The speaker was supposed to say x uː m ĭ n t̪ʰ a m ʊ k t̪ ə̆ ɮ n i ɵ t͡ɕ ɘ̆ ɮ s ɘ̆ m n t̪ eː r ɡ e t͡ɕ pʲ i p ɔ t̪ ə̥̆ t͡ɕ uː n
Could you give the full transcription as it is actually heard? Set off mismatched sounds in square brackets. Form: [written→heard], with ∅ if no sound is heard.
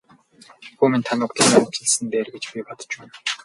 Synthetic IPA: x uː m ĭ n t̪ʰ a [m→n] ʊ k t̪ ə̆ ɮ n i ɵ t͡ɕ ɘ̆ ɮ s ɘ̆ [m→∅] n t̪ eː r ɡ e t͡ɕ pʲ i p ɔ t̪ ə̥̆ t͡ɕ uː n